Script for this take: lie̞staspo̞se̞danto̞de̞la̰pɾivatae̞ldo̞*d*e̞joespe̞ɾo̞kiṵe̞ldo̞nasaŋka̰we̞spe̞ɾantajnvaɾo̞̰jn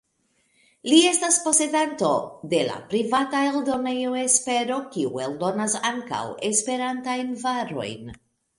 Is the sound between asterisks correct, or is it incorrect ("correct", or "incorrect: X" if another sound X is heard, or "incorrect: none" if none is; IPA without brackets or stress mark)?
incorrect: n